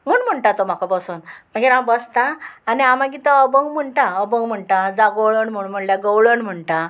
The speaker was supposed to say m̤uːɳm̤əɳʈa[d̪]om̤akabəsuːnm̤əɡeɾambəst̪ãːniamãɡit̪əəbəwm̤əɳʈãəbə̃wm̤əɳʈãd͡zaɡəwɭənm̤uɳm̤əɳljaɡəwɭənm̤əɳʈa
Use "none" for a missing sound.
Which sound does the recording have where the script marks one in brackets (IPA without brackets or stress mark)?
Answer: t̪